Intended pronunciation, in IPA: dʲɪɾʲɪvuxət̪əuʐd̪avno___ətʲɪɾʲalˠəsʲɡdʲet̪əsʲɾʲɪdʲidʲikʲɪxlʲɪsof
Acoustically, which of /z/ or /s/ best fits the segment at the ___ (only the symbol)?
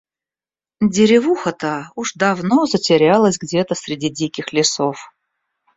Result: z